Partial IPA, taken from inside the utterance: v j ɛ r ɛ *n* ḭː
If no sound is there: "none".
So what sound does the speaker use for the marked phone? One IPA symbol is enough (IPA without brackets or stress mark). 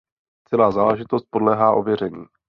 ɲ